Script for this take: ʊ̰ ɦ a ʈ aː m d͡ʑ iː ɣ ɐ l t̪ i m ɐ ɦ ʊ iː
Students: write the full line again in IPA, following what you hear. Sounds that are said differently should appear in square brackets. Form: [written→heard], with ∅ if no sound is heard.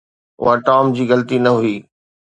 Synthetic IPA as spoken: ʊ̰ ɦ a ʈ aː m d͡ʑ iː ɣ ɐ l t̪ i [m→n] ɐ ɦ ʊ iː